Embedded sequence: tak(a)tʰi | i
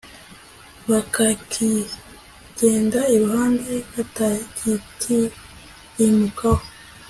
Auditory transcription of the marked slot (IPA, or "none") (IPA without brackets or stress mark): i